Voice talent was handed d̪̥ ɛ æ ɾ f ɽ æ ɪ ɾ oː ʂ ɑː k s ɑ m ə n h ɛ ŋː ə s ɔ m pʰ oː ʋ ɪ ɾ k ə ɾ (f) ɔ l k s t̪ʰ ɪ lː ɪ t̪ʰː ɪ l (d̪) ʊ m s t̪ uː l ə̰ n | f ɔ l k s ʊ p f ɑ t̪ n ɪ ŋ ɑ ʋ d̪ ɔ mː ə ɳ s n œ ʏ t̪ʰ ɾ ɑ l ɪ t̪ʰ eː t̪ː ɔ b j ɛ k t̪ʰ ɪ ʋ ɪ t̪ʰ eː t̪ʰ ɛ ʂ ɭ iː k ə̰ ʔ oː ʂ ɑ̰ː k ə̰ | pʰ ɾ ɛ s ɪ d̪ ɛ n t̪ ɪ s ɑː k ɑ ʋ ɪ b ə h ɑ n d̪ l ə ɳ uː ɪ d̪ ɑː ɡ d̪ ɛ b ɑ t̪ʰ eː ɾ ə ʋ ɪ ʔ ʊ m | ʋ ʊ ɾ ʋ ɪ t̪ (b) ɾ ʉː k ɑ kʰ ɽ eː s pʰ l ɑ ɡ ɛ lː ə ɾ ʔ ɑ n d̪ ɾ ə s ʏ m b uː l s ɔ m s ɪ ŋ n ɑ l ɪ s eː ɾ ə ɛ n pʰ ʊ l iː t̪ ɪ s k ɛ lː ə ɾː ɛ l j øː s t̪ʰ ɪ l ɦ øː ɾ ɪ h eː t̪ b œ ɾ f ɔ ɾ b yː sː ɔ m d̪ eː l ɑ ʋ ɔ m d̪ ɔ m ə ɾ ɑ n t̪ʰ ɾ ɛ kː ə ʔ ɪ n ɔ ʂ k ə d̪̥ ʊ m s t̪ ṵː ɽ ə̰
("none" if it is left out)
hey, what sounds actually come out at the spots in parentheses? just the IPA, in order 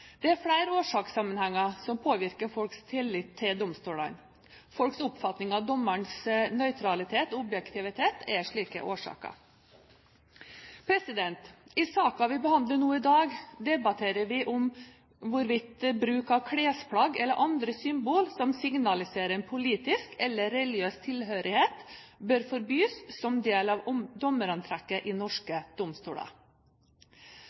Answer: f, d̪, b

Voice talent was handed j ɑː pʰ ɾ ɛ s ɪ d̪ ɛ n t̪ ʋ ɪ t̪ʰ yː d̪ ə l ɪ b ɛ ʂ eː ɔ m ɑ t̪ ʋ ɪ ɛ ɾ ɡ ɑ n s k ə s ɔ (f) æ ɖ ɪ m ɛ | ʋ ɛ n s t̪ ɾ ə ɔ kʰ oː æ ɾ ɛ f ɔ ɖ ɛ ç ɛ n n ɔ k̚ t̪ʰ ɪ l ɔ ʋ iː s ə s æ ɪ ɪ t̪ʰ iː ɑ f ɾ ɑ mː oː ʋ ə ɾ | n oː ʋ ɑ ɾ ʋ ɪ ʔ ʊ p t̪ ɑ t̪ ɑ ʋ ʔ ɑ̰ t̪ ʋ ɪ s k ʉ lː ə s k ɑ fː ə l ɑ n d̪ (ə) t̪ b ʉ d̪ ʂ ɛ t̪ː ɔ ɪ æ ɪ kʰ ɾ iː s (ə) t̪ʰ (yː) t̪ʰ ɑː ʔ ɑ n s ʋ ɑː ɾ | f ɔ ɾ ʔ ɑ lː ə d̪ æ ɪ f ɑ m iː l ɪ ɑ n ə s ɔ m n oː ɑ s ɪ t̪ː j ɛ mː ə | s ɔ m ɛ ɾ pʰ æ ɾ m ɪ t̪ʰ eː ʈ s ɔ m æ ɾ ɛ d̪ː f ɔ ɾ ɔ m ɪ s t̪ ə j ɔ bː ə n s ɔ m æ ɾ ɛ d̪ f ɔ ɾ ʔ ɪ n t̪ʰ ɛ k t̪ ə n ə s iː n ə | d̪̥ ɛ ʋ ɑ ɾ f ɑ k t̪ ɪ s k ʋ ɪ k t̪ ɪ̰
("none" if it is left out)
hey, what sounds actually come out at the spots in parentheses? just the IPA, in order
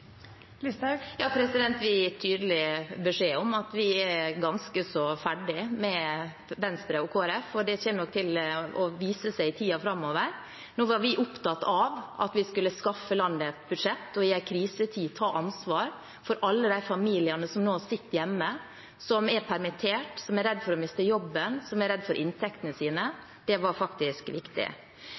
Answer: f, ə, ə, iː

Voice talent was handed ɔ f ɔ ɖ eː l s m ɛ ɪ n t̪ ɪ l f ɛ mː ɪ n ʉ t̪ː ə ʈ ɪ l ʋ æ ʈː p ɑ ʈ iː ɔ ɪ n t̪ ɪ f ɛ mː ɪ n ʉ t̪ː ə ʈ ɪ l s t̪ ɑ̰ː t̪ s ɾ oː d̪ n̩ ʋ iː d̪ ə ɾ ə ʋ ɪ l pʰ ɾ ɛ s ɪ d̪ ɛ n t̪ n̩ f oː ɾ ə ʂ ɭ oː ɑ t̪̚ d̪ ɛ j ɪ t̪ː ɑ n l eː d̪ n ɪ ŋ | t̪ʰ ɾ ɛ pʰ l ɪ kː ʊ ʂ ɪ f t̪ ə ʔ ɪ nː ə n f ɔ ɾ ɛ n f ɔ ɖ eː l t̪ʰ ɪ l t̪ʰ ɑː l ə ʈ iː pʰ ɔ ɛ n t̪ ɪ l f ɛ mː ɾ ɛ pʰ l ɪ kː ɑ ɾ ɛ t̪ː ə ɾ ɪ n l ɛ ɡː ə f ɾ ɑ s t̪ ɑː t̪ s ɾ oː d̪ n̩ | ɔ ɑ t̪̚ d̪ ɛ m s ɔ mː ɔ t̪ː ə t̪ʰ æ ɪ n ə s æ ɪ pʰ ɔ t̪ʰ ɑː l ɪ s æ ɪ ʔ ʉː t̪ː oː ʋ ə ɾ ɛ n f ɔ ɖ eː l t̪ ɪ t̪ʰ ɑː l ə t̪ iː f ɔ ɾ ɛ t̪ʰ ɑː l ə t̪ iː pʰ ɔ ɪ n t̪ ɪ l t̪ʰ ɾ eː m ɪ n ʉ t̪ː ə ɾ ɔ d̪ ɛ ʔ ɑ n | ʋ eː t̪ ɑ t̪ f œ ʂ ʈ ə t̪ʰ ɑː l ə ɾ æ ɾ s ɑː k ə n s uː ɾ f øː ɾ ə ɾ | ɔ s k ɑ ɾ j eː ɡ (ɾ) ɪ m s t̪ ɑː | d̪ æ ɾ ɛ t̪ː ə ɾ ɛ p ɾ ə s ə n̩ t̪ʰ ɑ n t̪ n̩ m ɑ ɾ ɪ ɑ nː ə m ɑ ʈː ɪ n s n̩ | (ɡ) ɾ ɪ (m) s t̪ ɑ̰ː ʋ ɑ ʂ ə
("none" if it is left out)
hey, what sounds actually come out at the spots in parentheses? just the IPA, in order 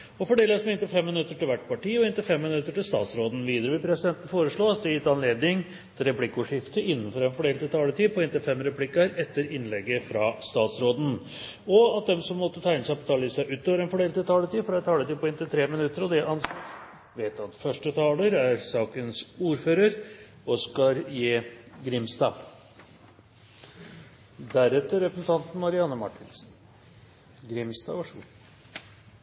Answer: ɾ, ɡ, m

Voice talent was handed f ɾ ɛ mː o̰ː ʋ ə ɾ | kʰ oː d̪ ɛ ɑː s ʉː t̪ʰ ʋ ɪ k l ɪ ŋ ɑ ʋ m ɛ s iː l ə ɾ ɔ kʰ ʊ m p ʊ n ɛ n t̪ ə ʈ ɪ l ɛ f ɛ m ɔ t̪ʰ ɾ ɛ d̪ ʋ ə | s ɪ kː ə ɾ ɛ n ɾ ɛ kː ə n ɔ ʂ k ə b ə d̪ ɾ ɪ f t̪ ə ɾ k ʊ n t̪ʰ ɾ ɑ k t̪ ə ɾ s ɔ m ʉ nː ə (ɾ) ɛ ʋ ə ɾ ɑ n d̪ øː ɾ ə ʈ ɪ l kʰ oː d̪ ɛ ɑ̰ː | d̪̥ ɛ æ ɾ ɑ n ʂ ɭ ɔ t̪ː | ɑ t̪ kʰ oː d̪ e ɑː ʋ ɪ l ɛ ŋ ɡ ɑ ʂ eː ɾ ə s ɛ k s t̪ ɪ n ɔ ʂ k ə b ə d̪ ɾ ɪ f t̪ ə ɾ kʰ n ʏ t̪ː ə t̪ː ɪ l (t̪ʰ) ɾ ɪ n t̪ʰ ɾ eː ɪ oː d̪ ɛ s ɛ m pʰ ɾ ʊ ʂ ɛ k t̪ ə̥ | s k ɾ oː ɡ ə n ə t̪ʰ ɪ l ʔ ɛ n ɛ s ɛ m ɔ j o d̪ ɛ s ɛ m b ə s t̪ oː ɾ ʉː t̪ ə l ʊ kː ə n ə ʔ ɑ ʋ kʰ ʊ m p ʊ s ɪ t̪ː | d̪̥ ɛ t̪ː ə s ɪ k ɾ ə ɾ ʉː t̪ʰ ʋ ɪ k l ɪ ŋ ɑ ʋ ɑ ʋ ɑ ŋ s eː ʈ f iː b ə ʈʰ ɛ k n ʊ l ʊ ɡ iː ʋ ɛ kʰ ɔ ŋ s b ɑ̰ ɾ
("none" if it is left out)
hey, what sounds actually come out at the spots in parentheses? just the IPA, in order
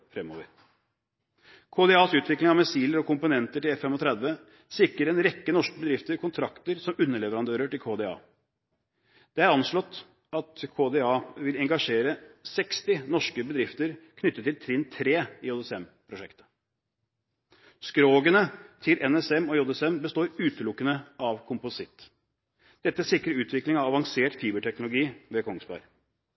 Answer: ɭ, t̪ʰ

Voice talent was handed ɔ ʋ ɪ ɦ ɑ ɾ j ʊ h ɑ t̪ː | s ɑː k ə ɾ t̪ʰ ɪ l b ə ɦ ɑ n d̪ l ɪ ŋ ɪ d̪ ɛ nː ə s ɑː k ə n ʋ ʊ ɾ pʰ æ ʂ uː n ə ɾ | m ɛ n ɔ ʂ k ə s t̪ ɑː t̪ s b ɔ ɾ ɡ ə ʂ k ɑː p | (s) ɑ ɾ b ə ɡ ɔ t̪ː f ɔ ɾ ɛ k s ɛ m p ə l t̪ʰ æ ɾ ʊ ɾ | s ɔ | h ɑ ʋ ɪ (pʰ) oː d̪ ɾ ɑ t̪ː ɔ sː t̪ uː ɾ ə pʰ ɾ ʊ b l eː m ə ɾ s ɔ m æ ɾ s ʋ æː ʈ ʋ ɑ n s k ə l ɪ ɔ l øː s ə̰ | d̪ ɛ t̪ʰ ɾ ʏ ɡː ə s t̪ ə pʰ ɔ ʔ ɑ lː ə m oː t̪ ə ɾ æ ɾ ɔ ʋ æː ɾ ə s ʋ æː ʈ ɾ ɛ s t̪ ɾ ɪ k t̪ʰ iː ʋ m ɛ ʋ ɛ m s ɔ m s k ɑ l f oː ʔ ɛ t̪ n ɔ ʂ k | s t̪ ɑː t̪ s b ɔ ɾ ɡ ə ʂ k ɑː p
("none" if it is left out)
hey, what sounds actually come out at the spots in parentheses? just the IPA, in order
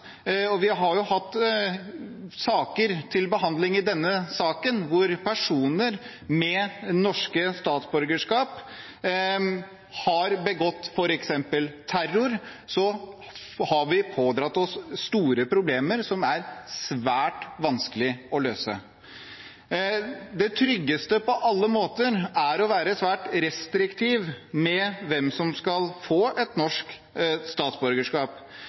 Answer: h, pʰ

